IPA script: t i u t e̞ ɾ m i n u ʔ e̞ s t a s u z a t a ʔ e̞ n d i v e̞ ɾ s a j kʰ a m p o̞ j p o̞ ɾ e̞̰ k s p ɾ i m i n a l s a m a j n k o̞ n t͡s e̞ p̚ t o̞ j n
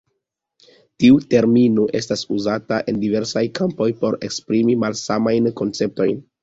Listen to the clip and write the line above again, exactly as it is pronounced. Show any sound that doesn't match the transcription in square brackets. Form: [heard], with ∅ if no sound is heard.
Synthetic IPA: t i u t e̞ ɾ m i n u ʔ e̞ s t a s u z a t a ʔ e̞ n d i v e̞ ɾ s a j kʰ a m p o̞ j p o̞ ɾ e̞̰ k s p ɾ i m i [m] a l s a m a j n k o̞ n t͡s e̞ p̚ t o̞ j n